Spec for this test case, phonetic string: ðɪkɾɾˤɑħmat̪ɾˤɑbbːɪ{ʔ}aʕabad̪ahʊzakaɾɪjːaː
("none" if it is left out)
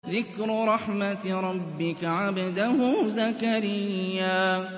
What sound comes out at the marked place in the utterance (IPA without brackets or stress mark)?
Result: k